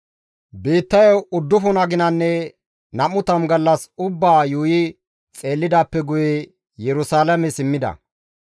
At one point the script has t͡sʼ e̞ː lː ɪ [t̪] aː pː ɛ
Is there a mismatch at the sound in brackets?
yes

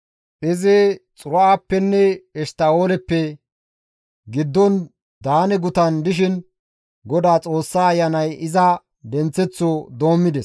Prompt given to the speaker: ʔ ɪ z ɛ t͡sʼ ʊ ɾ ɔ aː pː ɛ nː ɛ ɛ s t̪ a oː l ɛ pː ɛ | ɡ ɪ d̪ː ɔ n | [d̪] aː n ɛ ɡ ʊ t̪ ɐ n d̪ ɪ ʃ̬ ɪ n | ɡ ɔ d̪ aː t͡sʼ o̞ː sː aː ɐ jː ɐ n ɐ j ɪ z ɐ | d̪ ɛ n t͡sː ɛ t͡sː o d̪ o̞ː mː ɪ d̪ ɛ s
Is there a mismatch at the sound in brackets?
no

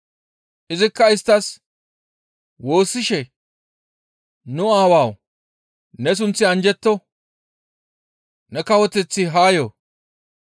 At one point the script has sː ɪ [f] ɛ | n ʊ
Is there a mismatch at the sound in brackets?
yes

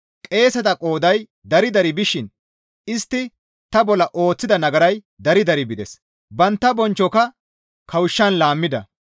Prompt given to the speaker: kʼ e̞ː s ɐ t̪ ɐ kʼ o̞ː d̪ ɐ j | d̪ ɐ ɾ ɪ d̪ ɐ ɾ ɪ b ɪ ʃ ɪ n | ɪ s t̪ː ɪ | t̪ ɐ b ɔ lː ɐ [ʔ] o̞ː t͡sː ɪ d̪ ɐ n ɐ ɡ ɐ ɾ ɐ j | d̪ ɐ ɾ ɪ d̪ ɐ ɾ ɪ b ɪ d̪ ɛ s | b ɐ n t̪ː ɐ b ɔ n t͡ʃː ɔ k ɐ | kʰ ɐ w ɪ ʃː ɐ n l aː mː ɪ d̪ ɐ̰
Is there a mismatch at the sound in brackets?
no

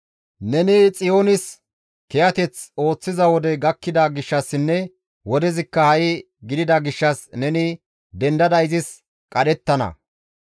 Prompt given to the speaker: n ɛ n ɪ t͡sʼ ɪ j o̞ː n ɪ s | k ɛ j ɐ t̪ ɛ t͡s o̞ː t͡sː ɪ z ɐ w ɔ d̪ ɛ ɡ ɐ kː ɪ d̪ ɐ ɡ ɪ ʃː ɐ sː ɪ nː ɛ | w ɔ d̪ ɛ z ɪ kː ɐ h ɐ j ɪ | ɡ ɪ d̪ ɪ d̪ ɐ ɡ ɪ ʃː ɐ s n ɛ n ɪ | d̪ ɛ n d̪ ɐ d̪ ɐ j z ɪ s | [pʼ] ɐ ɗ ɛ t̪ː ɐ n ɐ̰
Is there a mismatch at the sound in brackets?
yes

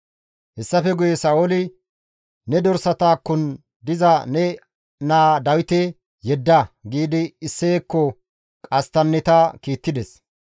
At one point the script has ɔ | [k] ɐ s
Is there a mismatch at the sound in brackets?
yes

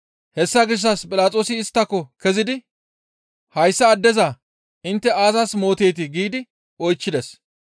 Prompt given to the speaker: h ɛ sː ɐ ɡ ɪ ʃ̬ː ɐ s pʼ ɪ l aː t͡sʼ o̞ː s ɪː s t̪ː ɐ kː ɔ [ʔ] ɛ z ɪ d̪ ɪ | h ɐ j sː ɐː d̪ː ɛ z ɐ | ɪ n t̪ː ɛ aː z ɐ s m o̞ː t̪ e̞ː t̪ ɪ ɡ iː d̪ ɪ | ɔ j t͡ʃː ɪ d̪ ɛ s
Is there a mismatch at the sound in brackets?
yes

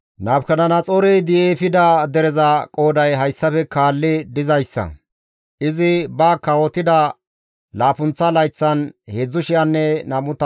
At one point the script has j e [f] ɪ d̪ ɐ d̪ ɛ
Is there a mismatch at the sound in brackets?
no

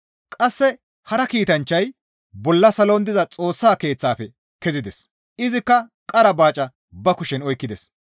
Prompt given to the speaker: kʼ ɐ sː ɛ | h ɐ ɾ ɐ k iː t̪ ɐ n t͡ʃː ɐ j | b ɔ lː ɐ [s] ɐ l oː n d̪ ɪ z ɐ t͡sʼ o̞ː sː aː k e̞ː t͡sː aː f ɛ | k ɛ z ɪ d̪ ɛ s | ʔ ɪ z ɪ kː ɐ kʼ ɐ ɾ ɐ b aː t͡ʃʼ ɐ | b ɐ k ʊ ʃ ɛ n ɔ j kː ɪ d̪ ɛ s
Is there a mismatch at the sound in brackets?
no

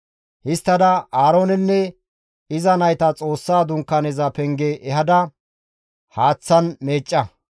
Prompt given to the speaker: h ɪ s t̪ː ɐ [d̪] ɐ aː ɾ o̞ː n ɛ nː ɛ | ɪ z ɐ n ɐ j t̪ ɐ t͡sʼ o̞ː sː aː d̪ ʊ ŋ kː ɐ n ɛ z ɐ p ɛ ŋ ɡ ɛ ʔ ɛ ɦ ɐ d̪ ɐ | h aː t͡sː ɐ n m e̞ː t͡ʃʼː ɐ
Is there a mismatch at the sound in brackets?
no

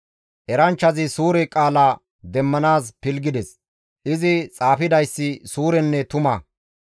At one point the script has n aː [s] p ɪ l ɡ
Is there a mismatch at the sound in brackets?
no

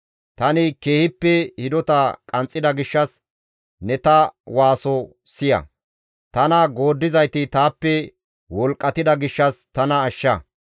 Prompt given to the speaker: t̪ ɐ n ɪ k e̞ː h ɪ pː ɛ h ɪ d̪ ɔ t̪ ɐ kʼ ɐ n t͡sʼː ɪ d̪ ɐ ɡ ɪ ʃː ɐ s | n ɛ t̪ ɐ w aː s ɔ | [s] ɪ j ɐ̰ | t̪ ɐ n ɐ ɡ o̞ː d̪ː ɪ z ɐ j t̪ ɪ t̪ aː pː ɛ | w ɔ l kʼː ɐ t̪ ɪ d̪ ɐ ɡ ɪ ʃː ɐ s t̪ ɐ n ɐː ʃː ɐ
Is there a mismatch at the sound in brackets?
no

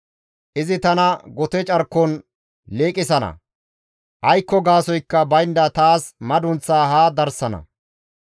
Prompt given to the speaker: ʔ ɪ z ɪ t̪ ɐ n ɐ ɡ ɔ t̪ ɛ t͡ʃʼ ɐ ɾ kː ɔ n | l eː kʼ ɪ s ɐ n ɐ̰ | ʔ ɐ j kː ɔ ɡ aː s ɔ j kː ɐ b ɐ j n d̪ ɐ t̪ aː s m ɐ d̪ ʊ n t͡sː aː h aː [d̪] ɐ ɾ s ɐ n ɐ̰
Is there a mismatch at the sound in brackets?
no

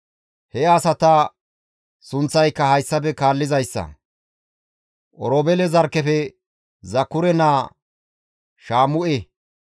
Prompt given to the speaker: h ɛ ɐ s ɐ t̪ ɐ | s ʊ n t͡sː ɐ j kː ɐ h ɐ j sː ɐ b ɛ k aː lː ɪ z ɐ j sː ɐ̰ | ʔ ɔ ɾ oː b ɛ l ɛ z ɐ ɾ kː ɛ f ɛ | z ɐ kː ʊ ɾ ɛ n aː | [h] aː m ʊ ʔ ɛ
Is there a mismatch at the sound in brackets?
yes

